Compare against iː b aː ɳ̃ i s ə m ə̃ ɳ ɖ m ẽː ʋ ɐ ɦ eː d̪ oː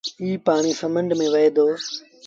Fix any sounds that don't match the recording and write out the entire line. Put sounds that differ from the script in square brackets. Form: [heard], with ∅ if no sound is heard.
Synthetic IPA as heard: iː [p] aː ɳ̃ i s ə m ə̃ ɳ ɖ m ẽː ʋ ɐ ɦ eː d̪ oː